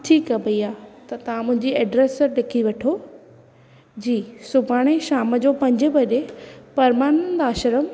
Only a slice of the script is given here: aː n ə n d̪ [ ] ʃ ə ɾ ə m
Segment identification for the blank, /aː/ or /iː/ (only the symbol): aː